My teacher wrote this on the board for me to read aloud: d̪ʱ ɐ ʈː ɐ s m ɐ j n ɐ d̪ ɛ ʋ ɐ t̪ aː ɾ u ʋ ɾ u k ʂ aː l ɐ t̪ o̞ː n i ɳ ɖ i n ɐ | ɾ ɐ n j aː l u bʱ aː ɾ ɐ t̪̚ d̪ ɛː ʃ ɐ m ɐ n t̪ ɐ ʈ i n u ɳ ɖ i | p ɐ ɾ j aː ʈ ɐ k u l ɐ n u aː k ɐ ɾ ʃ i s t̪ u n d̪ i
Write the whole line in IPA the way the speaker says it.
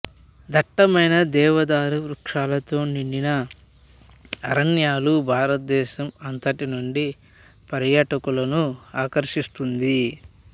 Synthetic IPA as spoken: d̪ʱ ɐ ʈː ɐ m ɐ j n ɐ d̪ ɛː ʋ ɐ d̪ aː ɾ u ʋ ɾ u k ʂ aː l ɐ t̪ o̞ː n i ɳ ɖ i n ɐ | ɾ ɐ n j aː l u bʱ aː ɾ ɐ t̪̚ d̪ ɛː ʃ ɐ m ɐ n t̪ ɐ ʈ i n u ɳ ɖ i | p ɐ ɾ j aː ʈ ɐ k u l ɐ n u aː k ɐ ɾ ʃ i s t̪ u n d̪ i